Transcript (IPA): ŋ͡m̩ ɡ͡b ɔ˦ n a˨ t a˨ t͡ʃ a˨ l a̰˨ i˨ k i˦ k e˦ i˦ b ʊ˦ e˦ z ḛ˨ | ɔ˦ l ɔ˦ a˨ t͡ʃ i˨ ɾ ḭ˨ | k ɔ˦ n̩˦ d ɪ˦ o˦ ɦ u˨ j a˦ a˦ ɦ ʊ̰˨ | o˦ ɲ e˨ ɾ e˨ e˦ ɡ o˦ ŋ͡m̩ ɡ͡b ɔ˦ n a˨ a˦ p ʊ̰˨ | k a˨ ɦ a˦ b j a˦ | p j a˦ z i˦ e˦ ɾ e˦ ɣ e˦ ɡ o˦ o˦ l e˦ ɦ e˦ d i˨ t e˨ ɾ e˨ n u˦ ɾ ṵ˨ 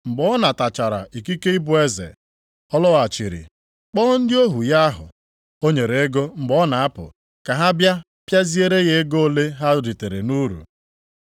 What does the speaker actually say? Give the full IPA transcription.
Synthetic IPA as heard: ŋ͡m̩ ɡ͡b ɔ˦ n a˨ t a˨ t͡ʃ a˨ ɾ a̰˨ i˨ k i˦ k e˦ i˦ b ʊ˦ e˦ z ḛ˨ | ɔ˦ l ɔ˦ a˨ t͡ʃ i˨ ɾ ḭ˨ | k͡p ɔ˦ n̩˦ d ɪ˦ o˦ ɦ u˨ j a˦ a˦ ɦ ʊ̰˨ | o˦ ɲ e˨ ɾ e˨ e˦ ɡ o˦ ŋ͡m̩ ɡ͡b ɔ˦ n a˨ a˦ p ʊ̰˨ | k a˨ ɦ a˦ b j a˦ | p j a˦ z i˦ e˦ ɾ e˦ ɣ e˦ ɡ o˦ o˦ l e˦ ɦ a˦ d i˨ t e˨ ɾ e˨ n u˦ ɾ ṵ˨

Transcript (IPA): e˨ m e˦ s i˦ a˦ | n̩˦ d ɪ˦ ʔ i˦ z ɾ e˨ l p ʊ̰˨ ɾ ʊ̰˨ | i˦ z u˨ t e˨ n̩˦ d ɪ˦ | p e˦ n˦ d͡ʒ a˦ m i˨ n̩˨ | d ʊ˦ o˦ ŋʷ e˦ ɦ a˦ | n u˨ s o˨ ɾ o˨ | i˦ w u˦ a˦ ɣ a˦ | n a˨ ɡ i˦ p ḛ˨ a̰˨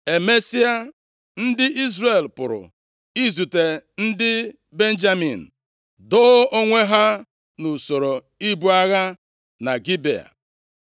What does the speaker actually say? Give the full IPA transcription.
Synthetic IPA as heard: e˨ m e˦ s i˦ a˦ | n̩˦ d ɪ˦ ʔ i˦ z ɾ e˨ l p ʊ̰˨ ɾ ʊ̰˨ | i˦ z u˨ t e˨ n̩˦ d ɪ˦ | b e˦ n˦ d͡ʒ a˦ m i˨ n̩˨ | d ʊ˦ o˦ ŋʷ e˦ ɦ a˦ | n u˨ s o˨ ɾ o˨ | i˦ b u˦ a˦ ɣ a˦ | n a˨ ɡ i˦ b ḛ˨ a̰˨

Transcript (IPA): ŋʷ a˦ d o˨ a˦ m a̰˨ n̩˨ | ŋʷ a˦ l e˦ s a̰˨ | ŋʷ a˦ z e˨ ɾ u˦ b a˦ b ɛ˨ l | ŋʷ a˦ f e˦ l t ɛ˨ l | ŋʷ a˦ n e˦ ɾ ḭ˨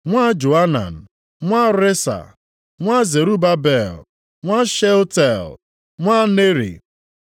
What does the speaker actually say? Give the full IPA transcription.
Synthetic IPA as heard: ŋʷ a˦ d͡ʒ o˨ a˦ n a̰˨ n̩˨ | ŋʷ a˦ ɾ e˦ s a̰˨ | ŋʷ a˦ z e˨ ɾ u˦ b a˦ b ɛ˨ l | ŋʷ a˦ ʃ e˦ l t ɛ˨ l | ŋʷ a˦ n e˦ ɾ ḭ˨

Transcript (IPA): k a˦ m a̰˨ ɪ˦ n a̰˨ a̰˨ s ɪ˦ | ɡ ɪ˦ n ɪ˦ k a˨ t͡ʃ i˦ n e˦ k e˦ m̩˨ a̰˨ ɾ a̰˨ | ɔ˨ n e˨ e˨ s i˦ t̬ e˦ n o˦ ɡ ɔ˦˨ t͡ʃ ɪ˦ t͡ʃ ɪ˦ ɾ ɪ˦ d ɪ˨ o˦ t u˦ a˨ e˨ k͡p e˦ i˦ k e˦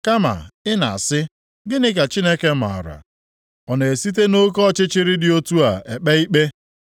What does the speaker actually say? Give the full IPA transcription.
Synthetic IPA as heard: k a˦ m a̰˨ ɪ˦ n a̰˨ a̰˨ s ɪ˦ | ɡ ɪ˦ n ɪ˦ k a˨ t͡ʃ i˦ n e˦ k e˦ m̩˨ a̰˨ ɾ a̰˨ | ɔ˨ n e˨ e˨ s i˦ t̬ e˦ n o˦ k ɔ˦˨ t͡ʃ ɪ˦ t͡ʃ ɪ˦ ɾ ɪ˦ d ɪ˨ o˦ t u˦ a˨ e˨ k͡p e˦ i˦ k͡p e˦

